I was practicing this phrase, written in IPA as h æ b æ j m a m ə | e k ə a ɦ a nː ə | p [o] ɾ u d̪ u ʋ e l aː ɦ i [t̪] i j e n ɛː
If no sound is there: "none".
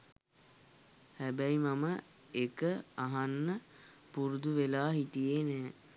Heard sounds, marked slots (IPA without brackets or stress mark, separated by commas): u, t̪